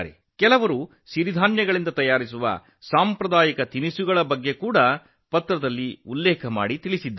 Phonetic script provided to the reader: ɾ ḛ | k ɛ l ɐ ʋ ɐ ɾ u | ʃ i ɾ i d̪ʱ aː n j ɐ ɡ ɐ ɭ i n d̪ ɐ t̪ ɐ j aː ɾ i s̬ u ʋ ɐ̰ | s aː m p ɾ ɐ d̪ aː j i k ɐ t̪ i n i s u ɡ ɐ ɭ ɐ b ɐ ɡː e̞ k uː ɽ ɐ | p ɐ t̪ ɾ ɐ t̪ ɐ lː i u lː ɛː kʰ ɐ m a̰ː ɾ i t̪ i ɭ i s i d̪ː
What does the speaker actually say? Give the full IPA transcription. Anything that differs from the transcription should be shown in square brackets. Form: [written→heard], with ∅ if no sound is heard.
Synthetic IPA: ɾ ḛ | k ɛ l ɐ ʋ ɐ ɾ u | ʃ i ɾ i d̪ʱ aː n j ɐ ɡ ɐ ɭ i n d̪ ɐ t̪ ɐ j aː ɾ i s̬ u ʋ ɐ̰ | s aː m p ɾ ɐ d̪ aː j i k ɐ t̪ i n i s u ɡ ɐ ɭ ɐ b ɐ ɡː e̞ k uː ɽ ɐ | p ɐ t̪ ɾ ɐ [t̪→d̪] ɐ lː i u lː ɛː kʰ ɐ m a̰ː [ɾ→ɽ] i t̪ i ɭ i s i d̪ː